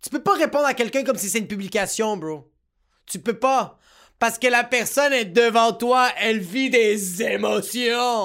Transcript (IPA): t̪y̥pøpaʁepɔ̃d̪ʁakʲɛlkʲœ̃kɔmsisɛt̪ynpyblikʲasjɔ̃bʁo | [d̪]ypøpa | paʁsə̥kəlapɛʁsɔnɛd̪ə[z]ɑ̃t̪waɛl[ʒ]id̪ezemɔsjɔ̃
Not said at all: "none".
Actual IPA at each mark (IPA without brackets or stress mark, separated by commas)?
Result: t̪, v, v